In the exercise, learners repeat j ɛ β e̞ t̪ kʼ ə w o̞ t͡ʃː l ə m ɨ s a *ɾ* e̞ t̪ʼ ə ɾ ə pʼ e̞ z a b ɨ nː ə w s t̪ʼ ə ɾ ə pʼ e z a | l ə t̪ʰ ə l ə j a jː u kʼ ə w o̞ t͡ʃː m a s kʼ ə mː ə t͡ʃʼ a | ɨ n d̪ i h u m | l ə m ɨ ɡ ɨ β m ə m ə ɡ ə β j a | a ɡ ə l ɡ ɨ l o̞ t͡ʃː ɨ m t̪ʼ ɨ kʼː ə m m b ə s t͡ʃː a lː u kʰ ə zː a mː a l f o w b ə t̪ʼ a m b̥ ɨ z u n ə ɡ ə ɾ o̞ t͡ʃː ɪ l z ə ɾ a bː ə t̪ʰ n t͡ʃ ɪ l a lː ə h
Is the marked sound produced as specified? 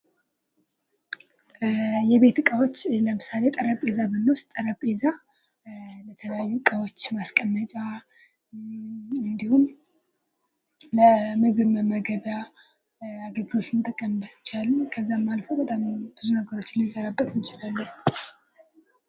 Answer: no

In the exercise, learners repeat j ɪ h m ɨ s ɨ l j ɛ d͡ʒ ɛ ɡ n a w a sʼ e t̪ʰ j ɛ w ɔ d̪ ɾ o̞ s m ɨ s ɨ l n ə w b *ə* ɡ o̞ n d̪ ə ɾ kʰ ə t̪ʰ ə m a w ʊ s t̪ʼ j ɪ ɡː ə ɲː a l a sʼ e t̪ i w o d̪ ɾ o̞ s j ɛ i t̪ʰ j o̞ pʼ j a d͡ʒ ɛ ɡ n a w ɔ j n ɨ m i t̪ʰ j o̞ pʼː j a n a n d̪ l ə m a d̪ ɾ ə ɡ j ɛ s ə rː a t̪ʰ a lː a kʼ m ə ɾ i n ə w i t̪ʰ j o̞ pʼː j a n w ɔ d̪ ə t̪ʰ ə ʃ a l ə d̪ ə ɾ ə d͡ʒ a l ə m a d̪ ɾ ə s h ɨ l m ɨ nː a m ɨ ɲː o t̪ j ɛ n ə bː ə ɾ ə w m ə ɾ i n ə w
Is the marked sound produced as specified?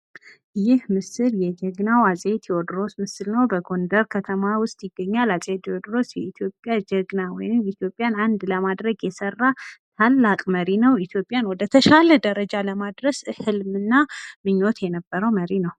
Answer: yes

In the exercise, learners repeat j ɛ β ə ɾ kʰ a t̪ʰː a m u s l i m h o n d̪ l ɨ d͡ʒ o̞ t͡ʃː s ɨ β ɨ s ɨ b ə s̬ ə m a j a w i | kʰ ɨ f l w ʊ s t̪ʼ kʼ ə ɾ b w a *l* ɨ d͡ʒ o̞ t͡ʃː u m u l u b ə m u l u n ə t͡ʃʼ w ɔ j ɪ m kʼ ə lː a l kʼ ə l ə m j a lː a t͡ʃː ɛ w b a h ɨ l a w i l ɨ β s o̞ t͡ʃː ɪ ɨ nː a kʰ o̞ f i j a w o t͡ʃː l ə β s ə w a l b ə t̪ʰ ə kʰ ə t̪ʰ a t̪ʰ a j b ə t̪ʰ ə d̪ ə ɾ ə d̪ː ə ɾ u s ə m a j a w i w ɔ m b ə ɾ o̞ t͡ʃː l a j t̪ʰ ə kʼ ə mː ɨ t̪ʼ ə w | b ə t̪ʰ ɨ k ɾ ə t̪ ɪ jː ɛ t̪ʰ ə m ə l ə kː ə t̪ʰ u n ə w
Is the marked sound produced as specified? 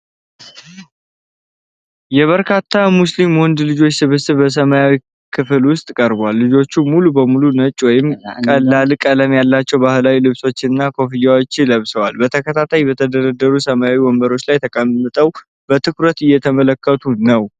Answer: no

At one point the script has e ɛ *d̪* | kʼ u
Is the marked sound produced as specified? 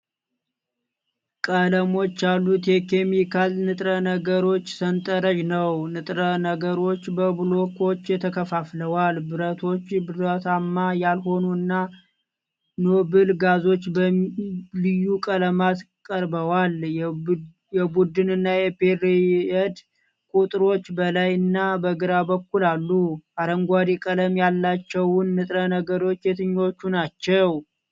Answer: yes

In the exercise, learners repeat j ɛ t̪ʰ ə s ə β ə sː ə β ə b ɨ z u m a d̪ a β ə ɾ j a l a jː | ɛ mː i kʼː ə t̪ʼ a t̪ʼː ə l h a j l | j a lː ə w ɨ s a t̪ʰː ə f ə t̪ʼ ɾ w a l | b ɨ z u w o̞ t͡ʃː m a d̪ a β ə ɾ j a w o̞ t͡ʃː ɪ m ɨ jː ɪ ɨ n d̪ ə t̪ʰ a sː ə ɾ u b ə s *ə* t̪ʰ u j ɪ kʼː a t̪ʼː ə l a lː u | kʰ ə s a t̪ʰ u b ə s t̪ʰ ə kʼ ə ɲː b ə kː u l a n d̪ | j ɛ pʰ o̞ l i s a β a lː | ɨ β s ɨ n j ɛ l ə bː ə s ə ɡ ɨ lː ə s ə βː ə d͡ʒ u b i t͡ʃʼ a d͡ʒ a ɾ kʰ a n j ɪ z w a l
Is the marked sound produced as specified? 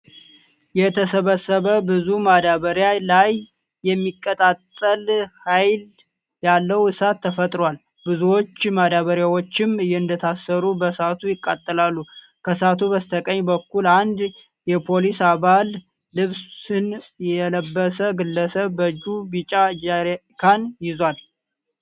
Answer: no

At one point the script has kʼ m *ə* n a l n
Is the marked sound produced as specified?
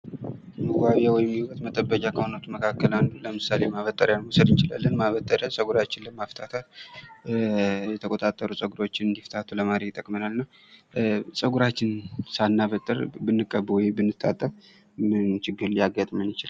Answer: yes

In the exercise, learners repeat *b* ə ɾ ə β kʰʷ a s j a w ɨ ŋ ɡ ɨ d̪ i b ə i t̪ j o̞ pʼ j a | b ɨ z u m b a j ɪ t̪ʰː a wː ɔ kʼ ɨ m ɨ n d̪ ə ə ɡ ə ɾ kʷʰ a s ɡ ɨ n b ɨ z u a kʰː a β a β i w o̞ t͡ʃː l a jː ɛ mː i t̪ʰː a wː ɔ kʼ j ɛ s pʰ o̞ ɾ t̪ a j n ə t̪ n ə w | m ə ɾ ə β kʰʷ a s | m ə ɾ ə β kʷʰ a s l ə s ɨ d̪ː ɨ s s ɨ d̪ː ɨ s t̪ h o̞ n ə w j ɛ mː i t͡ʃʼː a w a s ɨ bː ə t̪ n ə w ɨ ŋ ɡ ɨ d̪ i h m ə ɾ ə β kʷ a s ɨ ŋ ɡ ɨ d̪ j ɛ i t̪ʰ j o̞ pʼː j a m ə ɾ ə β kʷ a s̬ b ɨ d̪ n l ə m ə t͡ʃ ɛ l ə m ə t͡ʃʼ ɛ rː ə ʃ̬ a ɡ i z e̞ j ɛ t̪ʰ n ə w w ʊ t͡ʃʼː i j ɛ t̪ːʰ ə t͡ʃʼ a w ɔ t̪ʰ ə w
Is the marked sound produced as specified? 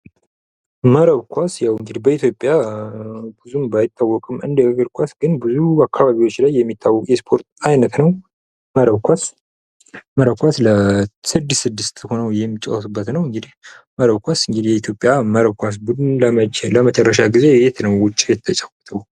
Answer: no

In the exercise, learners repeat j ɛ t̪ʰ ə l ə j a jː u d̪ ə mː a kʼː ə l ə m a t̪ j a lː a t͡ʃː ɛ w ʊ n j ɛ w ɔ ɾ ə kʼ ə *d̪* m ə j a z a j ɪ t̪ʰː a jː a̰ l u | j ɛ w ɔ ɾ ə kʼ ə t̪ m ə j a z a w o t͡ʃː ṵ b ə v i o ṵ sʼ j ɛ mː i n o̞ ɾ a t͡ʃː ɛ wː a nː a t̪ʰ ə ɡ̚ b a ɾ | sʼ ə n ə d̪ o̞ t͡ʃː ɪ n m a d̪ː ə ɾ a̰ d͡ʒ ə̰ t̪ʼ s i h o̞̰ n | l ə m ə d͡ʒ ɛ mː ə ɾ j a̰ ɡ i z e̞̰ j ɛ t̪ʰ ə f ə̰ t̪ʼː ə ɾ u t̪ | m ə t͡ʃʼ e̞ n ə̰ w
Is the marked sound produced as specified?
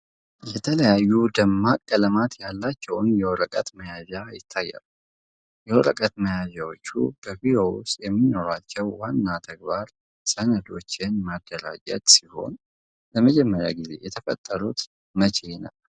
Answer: no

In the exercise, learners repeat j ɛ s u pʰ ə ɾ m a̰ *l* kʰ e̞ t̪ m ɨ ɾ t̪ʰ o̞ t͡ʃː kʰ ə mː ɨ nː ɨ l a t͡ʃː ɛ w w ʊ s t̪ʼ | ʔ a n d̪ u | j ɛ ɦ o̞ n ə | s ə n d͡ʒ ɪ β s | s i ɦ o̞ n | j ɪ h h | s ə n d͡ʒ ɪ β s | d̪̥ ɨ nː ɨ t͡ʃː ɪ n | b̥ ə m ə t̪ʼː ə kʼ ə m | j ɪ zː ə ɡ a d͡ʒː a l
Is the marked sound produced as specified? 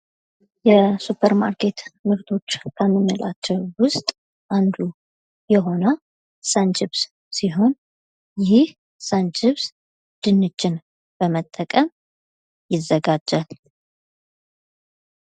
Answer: no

